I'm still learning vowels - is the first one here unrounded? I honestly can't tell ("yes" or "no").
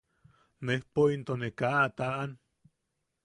yes